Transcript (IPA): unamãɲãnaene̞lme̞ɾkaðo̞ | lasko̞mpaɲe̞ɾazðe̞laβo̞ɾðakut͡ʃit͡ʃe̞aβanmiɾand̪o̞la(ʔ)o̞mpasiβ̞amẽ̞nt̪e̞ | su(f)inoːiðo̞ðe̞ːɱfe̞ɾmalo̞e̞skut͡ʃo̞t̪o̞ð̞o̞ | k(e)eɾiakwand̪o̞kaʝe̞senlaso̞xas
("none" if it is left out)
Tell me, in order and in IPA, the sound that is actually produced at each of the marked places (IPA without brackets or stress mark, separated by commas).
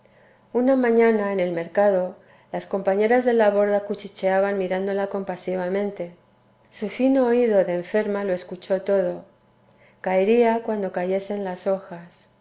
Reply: k, f, a